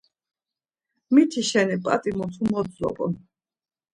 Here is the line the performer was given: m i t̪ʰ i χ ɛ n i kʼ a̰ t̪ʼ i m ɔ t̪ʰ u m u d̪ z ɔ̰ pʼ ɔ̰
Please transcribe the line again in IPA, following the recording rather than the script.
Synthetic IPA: m i t̪ʰ i ʃ ɛ n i pʼ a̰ t̪ʼ i m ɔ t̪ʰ u m ɔ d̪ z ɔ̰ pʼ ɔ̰